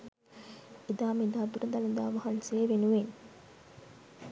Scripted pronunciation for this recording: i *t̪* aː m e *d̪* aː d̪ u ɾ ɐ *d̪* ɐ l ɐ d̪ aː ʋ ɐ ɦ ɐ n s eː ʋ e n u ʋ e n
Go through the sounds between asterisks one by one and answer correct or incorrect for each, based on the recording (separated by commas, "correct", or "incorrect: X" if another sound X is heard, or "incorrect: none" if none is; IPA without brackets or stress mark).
incorrect: d̪, correct, correct